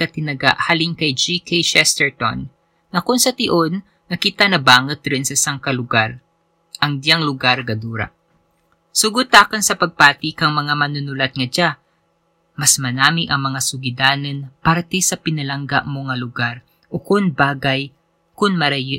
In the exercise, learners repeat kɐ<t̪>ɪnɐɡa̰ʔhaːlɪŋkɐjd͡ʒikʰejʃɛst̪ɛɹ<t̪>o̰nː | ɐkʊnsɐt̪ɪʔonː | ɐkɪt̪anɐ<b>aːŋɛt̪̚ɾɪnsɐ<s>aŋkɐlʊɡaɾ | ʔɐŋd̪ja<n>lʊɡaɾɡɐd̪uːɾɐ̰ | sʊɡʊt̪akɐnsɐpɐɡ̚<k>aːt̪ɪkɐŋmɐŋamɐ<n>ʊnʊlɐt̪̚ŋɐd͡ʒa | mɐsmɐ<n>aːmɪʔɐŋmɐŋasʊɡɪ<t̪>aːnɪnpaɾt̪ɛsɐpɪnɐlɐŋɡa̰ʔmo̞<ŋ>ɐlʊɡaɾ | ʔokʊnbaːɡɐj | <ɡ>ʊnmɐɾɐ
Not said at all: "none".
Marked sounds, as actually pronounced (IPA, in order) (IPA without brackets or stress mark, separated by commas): t̪, t̪, b, s, ŋ, p, n, n, d̪, ŋ, k